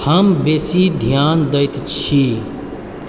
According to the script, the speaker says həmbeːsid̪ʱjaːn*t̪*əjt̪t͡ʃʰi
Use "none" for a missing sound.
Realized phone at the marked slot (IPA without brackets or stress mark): d̪